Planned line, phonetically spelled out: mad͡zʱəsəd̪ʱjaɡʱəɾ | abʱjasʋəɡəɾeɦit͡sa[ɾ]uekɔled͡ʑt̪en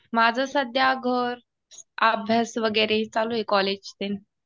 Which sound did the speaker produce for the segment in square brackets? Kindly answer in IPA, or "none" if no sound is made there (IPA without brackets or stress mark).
l